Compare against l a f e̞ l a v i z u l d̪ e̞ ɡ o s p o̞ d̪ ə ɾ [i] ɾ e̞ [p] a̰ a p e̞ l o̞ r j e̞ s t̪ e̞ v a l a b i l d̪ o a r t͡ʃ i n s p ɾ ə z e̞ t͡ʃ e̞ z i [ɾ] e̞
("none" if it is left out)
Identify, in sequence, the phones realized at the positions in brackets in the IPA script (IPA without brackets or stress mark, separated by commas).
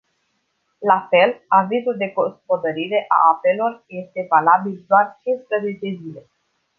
i, ʔ, l